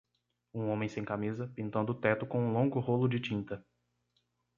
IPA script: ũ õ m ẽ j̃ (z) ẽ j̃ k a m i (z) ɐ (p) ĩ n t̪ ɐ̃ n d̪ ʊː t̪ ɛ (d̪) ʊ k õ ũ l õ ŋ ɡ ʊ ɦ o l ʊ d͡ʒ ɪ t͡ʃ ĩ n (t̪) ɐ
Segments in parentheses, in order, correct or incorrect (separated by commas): incorrect, correct, correct, incorrect, correct